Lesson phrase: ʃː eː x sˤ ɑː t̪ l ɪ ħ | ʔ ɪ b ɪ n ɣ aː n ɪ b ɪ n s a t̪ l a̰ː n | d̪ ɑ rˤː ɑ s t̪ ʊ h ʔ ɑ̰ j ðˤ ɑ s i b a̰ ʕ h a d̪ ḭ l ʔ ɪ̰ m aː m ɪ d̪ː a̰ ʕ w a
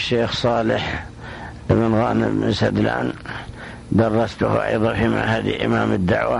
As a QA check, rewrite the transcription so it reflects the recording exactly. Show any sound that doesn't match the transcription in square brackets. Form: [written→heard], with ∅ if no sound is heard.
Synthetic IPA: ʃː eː x sˤ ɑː [t̪→∅] l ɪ ħ | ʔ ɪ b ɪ n ɣ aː n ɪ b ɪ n s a [t̪→d̪] l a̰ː n | d̪ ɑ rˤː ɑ s t̪ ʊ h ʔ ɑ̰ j ðˤ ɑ [s→f] i [b→m] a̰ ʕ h a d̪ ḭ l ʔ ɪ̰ m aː m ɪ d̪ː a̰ ʕ w a